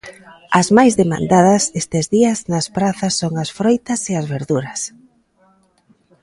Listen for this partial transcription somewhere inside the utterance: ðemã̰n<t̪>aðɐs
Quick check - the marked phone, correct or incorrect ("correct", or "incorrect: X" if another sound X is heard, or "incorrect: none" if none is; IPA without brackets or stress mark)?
incorrect: d̪